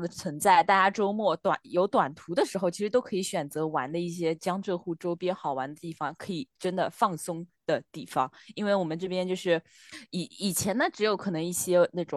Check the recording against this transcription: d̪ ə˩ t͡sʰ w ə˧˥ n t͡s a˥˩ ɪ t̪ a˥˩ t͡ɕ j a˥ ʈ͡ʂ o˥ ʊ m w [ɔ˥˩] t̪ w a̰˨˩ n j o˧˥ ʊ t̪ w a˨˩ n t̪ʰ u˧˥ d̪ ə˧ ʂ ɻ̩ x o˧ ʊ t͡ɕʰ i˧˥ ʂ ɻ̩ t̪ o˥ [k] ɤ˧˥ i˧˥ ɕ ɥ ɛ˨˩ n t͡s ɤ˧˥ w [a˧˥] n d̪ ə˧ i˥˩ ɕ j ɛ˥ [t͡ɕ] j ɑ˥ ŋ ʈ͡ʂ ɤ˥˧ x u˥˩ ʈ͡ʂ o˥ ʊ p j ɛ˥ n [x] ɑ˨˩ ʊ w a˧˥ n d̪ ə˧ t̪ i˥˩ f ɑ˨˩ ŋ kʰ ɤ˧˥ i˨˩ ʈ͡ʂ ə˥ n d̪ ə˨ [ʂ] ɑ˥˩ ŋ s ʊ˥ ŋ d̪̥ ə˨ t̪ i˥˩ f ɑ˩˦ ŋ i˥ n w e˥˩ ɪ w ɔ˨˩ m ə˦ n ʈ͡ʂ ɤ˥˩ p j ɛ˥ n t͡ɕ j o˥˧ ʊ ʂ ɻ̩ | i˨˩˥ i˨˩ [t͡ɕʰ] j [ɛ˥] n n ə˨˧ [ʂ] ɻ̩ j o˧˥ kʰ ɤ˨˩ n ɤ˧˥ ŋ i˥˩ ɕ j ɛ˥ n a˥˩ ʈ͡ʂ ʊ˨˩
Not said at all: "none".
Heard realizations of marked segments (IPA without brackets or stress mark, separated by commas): ɔ˥˩, kʰ, a˧˥, t͡ɕ, x, f, t͡ɕʰ, ɛ˧˥, ʈ͡ʂ